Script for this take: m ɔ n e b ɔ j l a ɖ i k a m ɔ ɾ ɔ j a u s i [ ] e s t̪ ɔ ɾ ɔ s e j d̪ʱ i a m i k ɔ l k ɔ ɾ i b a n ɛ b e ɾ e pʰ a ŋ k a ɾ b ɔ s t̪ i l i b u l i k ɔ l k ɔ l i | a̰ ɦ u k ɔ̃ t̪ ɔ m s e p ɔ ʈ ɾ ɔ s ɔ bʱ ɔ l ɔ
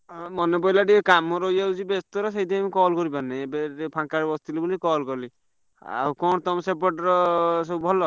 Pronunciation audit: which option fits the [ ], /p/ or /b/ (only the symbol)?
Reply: b